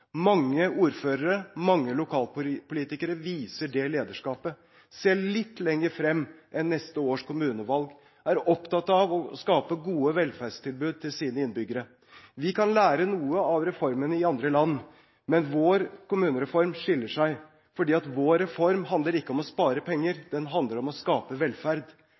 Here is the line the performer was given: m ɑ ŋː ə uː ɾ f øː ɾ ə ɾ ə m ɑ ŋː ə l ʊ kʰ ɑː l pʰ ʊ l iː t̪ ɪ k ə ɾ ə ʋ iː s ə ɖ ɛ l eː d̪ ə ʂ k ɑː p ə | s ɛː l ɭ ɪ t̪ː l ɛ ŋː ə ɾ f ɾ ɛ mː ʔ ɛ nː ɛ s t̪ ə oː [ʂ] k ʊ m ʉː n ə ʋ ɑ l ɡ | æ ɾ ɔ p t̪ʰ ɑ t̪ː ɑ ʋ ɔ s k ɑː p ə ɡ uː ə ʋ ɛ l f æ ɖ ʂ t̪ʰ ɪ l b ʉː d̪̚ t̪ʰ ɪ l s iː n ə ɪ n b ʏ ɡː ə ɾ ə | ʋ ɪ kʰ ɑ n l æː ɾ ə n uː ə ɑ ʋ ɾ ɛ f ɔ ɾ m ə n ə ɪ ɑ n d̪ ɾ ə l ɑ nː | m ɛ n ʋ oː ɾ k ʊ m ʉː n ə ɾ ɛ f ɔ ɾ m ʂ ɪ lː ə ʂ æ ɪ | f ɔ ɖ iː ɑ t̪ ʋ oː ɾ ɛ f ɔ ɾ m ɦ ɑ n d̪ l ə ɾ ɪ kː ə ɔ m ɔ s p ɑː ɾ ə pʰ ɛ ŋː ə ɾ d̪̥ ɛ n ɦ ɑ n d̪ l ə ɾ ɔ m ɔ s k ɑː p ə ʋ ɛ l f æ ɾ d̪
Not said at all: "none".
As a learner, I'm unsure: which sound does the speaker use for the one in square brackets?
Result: ʂ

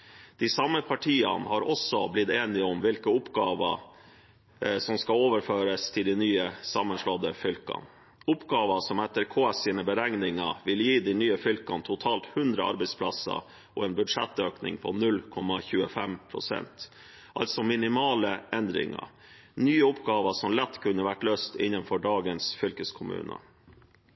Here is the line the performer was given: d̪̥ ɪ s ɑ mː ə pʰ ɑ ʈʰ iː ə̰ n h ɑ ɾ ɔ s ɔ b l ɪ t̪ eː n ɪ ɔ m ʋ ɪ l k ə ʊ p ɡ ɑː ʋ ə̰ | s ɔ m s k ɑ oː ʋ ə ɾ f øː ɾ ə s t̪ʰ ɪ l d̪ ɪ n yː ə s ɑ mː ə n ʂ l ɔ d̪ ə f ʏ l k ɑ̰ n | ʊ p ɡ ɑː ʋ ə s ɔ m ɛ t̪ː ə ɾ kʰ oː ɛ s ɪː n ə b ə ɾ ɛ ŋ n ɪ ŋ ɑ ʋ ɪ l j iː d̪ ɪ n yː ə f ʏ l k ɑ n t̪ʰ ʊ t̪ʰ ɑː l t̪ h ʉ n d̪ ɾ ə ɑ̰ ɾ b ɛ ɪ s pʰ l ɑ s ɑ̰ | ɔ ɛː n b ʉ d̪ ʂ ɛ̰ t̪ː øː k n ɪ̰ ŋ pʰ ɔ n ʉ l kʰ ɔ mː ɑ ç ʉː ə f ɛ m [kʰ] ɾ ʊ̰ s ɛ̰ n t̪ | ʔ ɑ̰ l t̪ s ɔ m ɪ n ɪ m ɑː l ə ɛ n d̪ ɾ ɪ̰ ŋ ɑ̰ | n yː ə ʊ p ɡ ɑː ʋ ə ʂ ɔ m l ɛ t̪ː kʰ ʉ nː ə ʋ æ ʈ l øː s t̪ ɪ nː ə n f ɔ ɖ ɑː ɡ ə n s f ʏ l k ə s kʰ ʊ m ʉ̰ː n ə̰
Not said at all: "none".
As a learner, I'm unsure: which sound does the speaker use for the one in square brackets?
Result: pʰ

